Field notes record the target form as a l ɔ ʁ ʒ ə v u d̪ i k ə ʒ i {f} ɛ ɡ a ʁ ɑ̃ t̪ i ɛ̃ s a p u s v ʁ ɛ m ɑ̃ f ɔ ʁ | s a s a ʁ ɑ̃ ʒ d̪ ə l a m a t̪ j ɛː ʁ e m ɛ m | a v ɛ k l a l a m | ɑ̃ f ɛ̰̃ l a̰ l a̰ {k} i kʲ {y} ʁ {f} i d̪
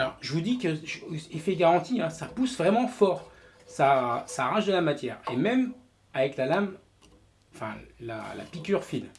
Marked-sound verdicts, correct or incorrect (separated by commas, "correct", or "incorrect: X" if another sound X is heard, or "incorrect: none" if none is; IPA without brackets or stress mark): correct, incorrect: p, correct, correct